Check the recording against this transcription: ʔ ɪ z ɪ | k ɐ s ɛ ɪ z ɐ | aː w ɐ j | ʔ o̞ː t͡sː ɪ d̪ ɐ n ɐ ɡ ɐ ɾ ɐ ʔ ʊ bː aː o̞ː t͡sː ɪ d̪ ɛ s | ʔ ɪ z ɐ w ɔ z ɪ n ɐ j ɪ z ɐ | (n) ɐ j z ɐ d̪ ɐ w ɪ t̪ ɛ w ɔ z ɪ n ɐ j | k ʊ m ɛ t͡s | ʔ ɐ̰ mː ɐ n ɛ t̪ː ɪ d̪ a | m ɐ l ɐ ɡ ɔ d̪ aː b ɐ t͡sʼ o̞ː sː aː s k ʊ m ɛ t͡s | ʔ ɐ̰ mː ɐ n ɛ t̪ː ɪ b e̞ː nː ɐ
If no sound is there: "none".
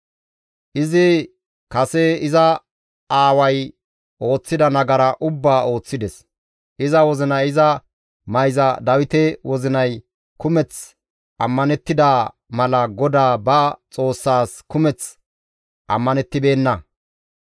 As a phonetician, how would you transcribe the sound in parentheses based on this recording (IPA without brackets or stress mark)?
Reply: m